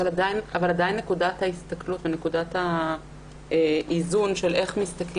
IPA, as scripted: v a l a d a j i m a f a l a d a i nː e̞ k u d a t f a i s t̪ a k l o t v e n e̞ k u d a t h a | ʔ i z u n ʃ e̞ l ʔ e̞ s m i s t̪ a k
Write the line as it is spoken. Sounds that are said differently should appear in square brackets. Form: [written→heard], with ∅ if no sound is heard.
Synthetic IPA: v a l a d a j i [m→n] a [f→v] a l a d a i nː e̞ k u d a t [f→h] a i s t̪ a k l [o→u] t v e n e̞ k u d a t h a | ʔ i z u n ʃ e̞ l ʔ e̞ [s→χ] m i s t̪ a k

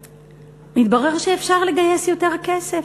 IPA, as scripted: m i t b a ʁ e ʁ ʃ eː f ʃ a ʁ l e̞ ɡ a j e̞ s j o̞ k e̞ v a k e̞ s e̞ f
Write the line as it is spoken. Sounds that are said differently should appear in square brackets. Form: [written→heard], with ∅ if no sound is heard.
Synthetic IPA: m i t b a ʁ e ʁ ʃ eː f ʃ a ʁ l e̞ ɡ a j e̞ s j o̞ [k→t] e̞ [v→ʁ] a k e̞ s e̞ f

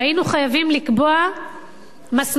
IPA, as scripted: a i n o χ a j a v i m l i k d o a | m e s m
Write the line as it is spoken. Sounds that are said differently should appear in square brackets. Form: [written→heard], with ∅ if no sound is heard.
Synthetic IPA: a i n [o→u] χ a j a v i m l i k [d→b] o a | m [e→a] s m

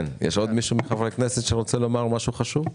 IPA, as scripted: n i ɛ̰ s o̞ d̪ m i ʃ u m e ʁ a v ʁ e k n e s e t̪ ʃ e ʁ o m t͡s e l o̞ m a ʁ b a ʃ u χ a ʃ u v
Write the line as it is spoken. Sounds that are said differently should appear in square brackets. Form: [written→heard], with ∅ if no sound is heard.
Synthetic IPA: n [i→j] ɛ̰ [s→ʃ] o̞ d̪ m i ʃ u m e [ʁ→χ] a v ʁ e k n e s e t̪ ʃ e ʁ o [m→∅] t͡s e l o̞ m a ʁ [b→m] a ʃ u χ a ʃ u v

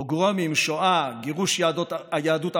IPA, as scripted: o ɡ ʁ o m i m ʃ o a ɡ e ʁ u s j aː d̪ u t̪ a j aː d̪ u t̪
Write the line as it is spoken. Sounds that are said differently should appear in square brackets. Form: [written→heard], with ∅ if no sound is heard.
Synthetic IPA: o ɡ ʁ o m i m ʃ o a ɡ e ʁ u [s→ʃ] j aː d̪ [u→o] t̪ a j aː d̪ u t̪

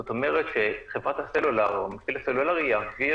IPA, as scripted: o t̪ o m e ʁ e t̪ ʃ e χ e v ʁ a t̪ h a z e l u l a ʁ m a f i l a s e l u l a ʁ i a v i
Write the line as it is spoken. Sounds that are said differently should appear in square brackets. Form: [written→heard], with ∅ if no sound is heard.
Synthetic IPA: o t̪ o m e ʁ e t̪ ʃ e χ e v ʁ a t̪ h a [z→s] e l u l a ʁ m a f i l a s e l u l a ʁ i a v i

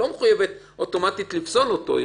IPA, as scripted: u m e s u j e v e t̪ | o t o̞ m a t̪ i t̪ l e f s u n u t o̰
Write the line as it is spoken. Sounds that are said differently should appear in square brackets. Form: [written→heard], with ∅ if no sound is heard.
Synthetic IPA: [u→o] m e [s→χ] u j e v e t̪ | o t o̞ m a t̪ i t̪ l [e→i] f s [u→o] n [u→o] t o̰

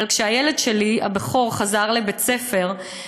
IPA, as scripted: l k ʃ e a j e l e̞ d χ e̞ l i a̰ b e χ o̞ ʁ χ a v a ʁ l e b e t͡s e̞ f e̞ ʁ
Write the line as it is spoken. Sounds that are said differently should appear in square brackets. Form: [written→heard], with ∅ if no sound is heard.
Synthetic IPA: l k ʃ e a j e l e̞ d [χ→ʃ] e̞ l i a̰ b e χ o̞ ʁ χ a [v→z] a ʁ l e b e t͡s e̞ f e̞ ʁ

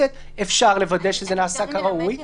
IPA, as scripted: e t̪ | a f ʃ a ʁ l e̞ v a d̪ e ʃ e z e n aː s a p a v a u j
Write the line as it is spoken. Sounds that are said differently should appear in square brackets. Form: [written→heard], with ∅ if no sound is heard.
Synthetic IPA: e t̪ | [a→e] f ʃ a ʁ l e̞ v a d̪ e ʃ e z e n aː s a [p→k] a [v→ʁ] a u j

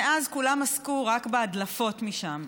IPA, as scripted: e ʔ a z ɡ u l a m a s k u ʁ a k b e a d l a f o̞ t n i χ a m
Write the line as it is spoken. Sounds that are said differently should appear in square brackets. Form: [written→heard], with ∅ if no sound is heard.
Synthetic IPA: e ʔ a z [ɡ→k] u l a m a s k u ʁ a k b e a d l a f o̞ t [n→m] i [χ→ʃ] a m

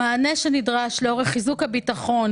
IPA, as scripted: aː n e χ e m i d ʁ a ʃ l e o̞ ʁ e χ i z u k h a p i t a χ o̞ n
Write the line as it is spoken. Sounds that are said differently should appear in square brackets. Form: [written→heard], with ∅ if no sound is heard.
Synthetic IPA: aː n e [χ→ʃ] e [m→n] i d ʁ a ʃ l e o̞ ʁ e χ i z u k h a [p→b] i t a χ o̞ n

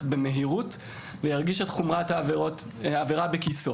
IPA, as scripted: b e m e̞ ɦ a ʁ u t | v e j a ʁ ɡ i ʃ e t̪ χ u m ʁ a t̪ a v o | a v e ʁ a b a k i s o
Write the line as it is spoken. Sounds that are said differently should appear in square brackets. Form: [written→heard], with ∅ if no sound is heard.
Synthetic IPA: b e m e̞ ɦ [a→i] ʁ u t | v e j a ʁ ɡ i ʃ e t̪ χ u m ʁ a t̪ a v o | a v e ʁ a b [a→e] k i s o

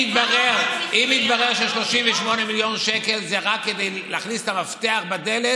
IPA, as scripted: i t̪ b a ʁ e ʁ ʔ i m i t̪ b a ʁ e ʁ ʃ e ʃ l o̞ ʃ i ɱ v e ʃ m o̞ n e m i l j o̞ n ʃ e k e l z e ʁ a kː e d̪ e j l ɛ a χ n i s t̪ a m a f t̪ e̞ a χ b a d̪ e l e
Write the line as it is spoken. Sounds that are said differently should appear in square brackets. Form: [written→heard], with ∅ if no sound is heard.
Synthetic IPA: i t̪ b a ʁ e ʁ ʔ i m i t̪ b a ʁ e ʁ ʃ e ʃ l o̞ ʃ i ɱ v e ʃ m o̞ n e m i l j o̞ n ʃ e k e l z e ʁ a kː e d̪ e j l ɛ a χ n i s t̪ a m a f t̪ e̞ a χ b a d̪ e l e

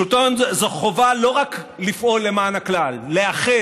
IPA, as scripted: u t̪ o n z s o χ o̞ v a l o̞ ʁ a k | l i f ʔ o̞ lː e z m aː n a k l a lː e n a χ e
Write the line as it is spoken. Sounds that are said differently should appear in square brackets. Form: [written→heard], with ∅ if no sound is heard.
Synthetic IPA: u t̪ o n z [s→z] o χ o̞ v a l o̞ ʁ a k | l i f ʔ o̞ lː e [z→∅] m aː n a k l a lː e [n→∅] a χ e

